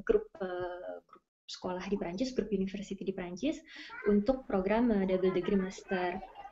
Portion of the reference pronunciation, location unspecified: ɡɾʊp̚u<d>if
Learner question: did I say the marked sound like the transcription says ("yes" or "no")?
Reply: no